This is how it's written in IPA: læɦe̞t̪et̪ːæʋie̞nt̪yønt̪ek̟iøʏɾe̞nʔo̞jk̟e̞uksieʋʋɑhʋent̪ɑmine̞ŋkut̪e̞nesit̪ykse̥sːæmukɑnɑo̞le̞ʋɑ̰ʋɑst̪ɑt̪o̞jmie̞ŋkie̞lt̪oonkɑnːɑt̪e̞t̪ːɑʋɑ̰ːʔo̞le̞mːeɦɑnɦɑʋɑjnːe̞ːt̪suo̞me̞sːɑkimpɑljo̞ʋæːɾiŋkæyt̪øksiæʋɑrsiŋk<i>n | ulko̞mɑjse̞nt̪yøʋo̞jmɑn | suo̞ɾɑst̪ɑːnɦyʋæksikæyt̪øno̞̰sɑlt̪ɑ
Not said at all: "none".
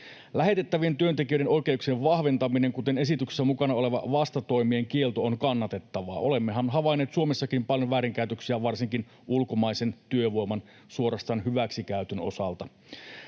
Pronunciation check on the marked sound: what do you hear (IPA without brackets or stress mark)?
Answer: i